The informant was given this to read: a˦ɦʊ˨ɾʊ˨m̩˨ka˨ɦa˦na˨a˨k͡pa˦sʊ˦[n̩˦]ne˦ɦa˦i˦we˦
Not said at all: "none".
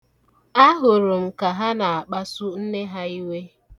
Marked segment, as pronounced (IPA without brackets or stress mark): n̩˦